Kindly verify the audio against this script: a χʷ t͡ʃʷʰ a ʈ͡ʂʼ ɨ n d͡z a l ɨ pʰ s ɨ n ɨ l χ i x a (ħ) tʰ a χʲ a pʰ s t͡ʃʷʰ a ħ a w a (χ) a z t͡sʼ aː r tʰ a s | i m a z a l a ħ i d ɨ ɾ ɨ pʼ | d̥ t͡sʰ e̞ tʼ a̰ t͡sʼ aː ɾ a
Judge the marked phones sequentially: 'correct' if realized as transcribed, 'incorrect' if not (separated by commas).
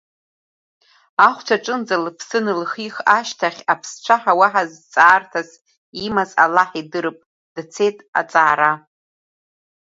incorrect, incorrect